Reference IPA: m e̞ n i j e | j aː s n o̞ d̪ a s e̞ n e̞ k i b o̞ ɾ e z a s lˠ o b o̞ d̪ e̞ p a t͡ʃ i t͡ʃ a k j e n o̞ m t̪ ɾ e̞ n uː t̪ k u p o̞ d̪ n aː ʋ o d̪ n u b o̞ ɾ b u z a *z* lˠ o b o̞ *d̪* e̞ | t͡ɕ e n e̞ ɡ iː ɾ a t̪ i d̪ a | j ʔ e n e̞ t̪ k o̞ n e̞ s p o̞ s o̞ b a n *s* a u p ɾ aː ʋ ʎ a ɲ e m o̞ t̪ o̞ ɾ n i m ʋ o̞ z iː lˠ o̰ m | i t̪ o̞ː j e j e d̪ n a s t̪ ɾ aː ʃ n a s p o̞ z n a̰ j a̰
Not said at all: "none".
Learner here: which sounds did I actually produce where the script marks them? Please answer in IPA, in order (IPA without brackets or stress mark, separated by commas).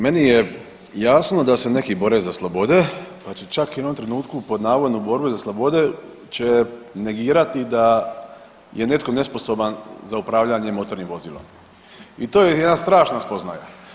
s, d̪, z